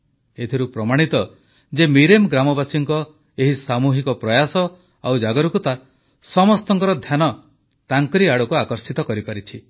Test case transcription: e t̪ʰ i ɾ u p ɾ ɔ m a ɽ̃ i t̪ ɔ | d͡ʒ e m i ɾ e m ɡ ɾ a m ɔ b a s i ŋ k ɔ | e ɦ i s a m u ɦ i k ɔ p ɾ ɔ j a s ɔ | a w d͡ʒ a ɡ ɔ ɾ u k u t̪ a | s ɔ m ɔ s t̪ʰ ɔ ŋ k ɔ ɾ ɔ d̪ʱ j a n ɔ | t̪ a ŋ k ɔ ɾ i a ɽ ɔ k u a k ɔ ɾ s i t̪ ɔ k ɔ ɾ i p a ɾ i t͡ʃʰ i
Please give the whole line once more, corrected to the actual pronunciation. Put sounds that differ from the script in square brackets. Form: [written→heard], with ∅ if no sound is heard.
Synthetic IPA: e t̪ʰ i ɾ u p ɾ ɔ m a ɽ̃ i t̪ ɔ | d͡ʒ e m i ɾ e m ɡ ɾ a m ɔ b a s i ŋ k ɔ | e ɦ i s a m u ɦ i k ɔ p ɾ ɔ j a s ɔ | a w d͡ʒ a ɡ ɔ ɾ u k u t̪ a | s ɔ m ɔ s [t̪ʰ→t̪] ɔ ŋ k ɔ ɾ ɔ d̪ʱ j a n ɔ | t̪ a ŋ k ɔ ɾ i a ɽ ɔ k u a k ɔ ɾ s i t̪ ɔ k ɔ ɾ i p a ɾ i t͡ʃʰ i